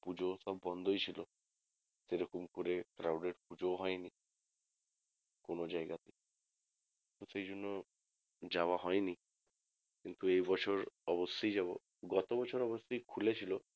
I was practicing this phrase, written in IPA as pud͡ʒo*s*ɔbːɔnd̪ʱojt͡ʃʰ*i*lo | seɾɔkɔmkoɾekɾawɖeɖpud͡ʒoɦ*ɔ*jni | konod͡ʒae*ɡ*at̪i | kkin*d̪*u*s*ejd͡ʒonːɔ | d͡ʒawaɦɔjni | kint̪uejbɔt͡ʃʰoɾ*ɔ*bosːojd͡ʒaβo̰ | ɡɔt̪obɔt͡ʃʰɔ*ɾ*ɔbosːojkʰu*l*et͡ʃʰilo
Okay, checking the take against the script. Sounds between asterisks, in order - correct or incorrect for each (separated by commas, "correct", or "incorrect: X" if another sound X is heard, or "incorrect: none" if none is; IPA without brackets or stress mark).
correct, correct, correct, correct, incorrect: t̪, correct, correct, correct, correct